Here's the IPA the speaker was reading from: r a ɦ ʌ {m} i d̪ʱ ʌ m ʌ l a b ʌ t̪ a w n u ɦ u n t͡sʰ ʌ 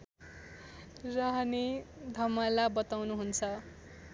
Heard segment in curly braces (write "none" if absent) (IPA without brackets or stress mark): n